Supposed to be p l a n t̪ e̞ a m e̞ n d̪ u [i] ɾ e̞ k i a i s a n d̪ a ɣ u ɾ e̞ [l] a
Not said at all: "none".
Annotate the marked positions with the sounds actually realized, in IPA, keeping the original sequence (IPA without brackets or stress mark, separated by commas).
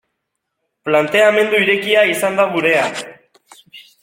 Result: i, none